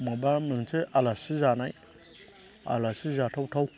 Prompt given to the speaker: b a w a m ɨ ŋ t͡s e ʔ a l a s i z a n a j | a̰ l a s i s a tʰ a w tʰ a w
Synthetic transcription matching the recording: m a b a m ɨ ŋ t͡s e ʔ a l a s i z a n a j | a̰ l a s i z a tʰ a w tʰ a w